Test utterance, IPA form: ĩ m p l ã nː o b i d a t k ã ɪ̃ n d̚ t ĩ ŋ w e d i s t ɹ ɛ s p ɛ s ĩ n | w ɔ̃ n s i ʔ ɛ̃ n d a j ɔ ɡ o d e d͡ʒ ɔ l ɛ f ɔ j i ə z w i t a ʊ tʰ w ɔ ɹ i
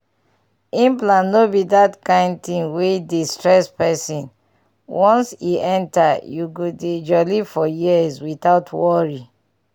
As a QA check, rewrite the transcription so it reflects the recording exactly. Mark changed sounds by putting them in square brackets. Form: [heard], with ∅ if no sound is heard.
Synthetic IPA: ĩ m p l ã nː o b i d a t k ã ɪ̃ n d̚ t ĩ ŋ w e d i s t ɹ ɛ s p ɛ s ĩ n | w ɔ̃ n s i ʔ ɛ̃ n [t] a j [u] ɡ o d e d͡ʒ ɔ l [i] f ɔ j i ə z w i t a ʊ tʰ w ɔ ɹ i